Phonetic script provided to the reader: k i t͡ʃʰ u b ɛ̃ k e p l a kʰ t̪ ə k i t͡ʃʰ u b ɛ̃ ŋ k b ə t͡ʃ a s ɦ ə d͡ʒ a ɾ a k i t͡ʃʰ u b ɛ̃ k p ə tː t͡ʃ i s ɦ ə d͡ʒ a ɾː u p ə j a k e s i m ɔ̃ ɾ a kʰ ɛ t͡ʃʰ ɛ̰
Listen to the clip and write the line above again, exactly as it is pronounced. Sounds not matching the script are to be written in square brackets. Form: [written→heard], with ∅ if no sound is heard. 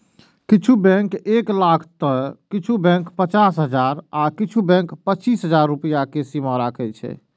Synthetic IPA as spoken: k i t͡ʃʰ u b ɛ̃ k e [p→k] l a kʰ t̪ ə k i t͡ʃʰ u b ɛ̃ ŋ k [b→p] ə t͡ʃ a s ɦ ə d͡ʒ a ɾ a k i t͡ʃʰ u b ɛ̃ k p ə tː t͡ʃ i s ɦ ə d͡ʒ a ɾː u p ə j a k e s i m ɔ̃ ɾ a kʰ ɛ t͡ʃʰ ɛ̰